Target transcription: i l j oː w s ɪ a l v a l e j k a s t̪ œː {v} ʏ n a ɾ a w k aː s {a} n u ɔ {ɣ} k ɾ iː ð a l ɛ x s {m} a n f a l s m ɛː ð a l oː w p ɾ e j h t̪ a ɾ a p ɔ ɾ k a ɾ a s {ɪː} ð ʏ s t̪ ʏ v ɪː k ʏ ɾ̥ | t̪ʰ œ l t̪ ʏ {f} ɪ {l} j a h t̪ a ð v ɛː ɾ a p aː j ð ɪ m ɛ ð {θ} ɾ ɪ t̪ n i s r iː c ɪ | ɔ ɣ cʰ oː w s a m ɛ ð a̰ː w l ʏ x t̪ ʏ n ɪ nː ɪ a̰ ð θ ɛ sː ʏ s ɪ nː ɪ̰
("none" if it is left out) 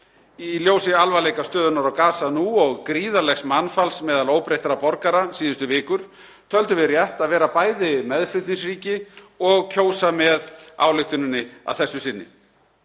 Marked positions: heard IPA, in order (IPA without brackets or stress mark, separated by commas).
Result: ð, a, ɣ, m, iː, v, r, f